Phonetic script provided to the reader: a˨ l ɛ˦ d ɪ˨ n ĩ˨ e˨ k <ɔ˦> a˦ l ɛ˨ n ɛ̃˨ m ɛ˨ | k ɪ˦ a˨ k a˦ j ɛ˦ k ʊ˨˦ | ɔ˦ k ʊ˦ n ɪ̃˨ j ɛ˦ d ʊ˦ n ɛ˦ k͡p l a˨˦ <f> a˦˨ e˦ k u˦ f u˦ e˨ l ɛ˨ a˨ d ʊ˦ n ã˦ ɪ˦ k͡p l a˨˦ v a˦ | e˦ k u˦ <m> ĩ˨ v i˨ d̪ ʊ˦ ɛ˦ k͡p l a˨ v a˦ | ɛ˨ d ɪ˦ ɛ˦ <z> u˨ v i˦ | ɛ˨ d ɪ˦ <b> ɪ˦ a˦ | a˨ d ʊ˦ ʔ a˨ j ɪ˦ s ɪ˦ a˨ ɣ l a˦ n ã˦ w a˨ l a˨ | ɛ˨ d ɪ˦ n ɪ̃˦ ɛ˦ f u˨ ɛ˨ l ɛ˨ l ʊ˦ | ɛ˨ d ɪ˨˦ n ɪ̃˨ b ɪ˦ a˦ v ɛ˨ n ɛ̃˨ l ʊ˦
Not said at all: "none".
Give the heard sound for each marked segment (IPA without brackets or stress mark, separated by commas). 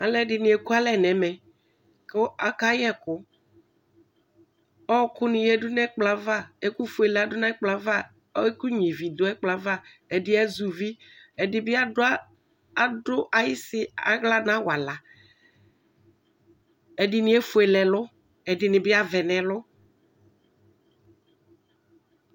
u˦, v, ɲ, z, b